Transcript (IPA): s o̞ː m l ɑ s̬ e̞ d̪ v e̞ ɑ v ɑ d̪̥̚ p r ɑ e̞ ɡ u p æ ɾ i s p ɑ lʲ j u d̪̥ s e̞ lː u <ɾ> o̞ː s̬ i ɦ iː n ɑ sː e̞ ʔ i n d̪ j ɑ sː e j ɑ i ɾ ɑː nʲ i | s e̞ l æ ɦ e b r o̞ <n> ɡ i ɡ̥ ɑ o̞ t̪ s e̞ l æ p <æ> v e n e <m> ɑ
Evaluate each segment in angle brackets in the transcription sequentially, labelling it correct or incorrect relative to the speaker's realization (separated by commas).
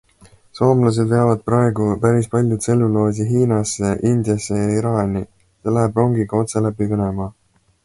incorrect, incorrect, incorrect, correct